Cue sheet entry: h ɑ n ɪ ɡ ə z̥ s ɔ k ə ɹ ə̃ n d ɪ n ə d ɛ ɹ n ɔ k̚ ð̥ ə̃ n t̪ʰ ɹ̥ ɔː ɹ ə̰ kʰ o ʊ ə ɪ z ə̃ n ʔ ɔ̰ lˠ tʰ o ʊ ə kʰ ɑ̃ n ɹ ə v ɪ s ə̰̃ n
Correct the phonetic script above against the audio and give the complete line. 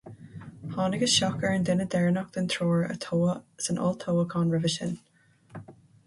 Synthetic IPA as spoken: h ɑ n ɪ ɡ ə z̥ ʃ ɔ k ə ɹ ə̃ n d ɪ n ə d ɛ ɹ n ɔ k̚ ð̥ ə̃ n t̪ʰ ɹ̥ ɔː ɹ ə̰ tʰ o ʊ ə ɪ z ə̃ n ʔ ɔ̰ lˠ tʰ o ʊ ə kʰ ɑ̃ n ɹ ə v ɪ ʃ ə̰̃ n